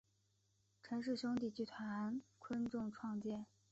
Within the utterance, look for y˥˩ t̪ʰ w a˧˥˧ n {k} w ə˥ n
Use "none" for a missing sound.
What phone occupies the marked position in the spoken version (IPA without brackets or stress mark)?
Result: kʰ